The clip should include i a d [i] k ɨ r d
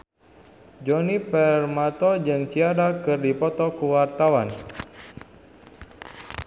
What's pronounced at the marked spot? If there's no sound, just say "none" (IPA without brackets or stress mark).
a